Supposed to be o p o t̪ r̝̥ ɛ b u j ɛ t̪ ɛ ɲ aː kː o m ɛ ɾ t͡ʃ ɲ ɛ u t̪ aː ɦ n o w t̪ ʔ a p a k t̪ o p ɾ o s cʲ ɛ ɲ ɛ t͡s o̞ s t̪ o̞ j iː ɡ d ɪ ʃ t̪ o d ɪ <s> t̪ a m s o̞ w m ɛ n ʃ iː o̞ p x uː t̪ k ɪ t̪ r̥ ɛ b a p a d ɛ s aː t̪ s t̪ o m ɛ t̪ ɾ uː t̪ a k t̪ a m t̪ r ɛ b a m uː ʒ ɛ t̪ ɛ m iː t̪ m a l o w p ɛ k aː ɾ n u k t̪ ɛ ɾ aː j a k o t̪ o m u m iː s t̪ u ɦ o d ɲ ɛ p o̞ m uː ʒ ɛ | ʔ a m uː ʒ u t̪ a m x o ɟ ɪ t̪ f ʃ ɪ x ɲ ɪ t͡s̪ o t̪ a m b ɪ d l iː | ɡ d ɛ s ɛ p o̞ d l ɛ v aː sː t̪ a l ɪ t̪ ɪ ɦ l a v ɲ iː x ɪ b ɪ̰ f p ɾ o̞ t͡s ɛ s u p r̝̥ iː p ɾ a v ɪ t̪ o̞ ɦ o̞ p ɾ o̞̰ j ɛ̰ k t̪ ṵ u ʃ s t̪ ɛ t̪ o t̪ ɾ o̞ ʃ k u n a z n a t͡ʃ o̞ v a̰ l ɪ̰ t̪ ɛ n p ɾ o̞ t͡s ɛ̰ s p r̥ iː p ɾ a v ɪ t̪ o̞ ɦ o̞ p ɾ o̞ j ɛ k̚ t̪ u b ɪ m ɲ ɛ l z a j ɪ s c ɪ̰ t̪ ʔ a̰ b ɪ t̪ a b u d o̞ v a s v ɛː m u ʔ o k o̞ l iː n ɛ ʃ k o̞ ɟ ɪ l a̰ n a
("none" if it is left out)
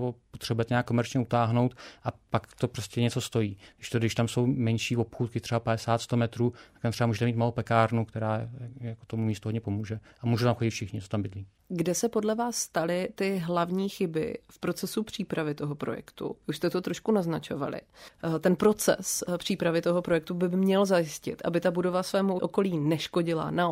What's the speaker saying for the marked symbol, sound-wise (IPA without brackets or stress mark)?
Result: ʃ